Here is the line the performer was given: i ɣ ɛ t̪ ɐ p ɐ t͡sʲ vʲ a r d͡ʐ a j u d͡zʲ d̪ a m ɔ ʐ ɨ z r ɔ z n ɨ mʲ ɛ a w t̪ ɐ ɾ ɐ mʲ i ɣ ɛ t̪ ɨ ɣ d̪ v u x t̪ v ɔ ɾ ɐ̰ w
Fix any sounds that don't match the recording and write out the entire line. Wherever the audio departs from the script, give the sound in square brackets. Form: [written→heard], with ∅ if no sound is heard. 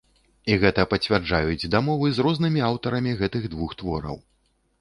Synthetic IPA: i ɣ ɛ t̪ ɐ p ɐ t͡sʲ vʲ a r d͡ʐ a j u d͡zʲ d̪ a m ɔ [ʐ→v] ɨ z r ɔ z n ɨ mʲ [ɛ→i] a w t̪ ɐ ɾ ɐ mʲ i ɣ ɛ t̪ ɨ ɣ d̪ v u x t̪ v ɔ ɾ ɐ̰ w